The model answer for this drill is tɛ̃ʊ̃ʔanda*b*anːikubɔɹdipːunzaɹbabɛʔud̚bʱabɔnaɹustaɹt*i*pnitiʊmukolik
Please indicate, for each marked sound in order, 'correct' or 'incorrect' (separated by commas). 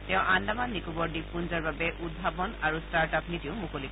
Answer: incorrect, incorrect